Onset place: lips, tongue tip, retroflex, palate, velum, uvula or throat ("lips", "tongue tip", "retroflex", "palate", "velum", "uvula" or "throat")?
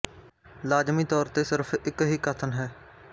tongue tip